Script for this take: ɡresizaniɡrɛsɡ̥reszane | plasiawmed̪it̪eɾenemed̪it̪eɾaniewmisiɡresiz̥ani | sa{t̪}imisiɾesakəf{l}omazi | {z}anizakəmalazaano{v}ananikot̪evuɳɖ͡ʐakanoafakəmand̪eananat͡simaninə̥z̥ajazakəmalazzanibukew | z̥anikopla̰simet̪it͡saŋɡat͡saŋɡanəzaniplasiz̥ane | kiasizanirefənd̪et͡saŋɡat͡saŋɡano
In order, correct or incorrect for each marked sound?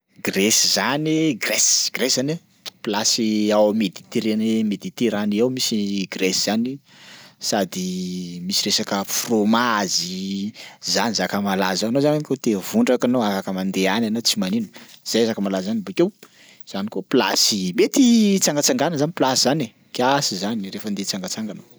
incorrect, incorrect, correct, incorrect

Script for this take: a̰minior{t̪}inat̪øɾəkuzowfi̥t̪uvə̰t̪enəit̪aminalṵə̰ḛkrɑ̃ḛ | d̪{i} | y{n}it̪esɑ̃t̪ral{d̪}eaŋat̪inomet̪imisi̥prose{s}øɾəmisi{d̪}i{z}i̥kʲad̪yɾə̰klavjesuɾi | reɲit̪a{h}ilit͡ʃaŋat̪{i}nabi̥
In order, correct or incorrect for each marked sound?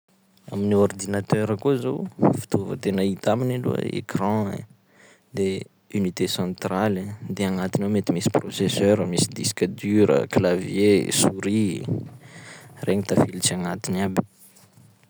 incorrect, incorrect, correct, correct, correct, correct, incorrect, incorrect, correct

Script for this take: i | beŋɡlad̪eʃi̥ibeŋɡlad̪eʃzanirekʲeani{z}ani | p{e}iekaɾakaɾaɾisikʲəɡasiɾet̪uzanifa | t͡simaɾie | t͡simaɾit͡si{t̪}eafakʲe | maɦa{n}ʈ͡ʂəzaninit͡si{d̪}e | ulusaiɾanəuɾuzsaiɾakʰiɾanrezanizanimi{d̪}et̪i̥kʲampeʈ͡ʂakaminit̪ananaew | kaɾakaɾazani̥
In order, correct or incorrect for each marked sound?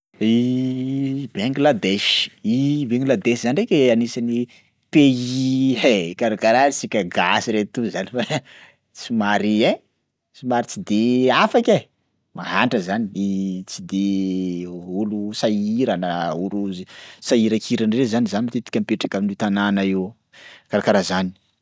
incorrect, correct, incorrect, incorrect, correct, incorrect

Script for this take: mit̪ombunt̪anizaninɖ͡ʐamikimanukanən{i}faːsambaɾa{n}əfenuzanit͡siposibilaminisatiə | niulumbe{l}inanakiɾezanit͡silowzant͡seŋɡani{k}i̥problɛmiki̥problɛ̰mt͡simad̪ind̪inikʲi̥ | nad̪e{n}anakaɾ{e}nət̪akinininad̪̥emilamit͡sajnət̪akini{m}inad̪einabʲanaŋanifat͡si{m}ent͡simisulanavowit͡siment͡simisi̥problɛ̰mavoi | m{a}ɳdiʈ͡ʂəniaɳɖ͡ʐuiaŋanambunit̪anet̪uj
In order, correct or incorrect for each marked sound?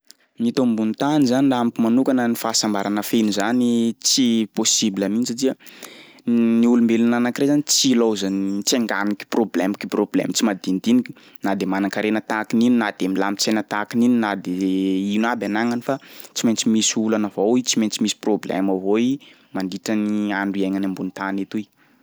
correct, correct, correct, correct, incorrect, correct, incorrect, correct, correct

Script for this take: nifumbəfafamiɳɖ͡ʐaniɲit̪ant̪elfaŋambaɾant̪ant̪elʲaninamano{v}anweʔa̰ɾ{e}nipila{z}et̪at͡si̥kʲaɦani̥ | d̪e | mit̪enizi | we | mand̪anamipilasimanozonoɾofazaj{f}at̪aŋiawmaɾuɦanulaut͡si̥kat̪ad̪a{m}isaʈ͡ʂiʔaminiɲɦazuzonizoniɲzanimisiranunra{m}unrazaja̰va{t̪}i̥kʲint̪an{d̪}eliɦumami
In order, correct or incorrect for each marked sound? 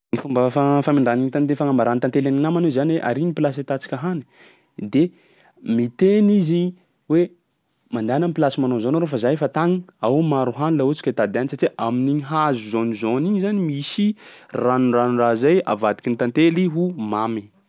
incorrect, incorrect, incorrect, correct, incorrect, incorrect, incorrect, incorrect

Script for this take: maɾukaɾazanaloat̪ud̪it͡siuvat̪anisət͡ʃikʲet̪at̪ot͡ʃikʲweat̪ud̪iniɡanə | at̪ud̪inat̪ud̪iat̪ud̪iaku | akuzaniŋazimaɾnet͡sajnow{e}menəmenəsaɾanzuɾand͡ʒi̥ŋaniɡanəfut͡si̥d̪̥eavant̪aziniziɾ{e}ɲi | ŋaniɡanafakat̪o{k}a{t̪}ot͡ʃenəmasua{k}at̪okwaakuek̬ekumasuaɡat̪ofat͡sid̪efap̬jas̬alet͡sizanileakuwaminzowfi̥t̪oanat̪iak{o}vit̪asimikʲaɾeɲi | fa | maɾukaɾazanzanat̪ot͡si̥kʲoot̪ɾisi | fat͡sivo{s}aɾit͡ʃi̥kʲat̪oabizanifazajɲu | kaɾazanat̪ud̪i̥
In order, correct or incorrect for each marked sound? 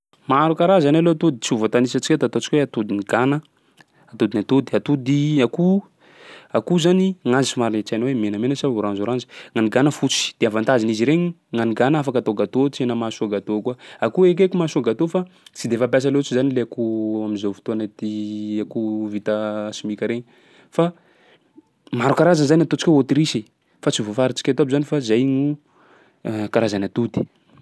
correct, correct, incorrect, correct, incorrect, incorrect, incorrect

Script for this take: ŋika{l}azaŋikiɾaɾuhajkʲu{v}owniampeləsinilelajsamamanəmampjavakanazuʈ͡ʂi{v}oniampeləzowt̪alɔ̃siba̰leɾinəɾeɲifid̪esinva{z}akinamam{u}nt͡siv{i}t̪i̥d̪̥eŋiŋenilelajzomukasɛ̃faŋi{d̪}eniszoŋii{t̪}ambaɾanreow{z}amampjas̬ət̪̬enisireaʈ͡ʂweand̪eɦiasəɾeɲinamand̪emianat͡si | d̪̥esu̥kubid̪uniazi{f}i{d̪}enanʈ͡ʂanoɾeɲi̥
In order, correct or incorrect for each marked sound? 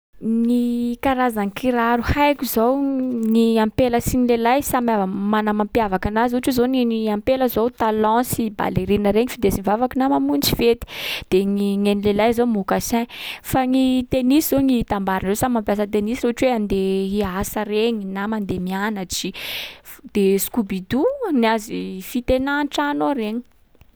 incorrect, incorrect, incorrect, incorrect, correct, incorrect, incorrect, correct, incorrect, correct, incorrect

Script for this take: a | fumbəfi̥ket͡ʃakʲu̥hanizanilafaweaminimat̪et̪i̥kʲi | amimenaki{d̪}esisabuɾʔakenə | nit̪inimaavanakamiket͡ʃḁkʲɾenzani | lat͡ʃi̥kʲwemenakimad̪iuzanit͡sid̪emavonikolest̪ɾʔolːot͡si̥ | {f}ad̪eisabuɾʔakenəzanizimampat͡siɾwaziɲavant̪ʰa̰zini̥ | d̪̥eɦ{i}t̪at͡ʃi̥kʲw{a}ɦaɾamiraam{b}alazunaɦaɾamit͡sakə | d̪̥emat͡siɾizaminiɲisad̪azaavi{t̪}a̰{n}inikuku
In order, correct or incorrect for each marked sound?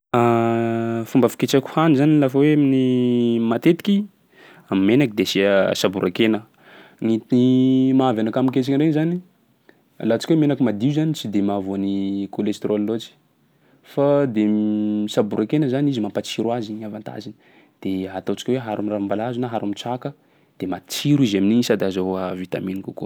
correct, correct, incorrect, incorrect, correct, correct, incorrect

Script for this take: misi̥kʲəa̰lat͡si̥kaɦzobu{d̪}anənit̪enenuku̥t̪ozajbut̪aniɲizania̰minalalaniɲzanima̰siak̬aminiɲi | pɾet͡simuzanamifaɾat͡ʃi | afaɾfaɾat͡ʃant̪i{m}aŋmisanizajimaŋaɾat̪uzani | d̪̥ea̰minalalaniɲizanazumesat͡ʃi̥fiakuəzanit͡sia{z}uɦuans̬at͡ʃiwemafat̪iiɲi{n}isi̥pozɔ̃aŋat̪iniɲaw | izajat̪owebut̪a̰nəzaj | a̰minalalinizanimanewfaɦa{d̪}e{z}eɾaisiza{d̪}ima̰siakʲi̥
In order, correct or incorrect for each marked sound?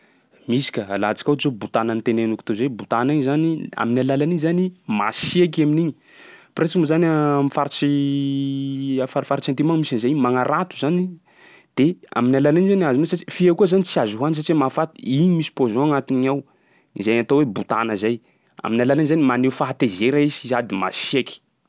incorrect, correct, correct, incorrect, incorrect, correct, correct

